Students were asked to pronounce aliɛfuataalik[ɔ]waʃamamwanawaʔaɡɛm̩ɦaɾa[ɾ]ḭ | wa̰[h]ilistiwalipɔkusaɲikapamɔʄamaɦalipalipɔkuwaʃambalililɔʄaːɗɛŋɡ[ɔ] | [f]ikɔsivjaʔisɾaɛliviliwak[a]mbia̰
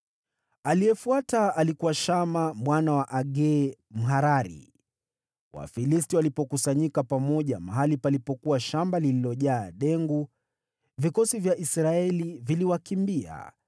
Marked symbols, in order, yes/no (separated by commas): no, yes, no, no, no, no